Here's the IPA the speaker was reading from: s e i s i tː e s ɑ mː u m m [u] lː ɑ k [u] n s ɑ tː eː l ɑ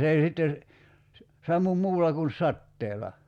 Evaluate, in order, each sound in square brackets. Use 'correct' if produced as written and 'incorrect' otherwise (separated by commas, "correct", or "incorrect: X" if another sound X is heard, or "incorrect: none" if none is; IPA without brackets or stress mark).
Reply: incorrect: uː, correct